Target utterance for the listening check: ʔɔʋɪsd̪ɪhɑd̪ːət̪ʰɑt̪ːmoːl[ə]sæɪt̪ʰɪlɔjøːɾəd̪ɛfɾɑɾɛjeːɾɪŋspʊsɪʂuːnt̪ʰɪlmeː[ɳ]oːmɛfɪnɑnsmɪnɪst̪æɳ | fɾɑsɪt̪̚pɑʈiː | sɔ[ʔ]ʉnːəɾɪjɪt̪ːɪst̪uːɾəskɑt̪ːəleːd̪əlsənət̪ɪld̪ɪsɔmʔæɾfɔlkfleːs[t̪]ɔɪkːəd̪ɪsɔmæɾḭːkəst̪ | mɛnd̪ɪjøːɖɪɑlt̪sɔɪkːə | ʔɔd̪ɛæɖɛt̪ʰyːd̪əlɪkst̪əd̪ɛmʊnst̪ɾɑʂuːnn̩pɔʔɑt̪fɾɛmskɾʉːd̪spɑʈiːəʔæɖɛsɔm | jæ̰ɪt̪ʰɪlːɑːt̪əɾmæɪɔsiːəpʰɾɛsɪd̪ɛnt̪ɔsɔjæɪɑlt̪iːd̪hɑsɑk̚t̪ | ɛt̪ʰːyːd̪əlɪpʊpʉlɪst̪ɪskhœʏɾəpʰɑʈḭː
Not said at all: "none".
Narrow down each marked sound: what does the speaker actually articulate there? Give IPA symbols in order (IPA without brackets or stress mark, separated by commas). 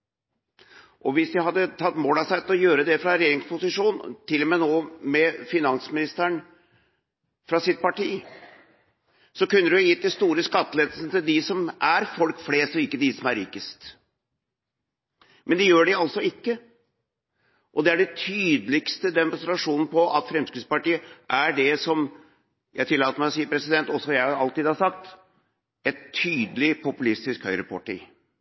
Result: ɑ, n, k, t̪